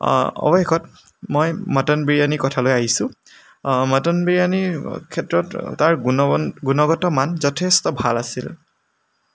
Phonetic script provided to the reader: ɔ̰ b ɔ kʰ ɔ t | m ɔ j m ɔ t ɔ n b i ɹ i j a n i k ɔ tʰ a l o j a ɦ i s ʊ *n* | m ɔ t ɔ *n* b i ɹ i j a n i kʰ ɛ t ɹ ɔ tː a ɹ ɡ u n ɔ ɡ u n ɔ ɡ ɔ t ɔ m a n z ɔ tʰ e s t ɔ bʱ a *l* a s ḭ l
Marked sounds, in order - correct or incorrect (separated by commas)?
incorrect, correct, correct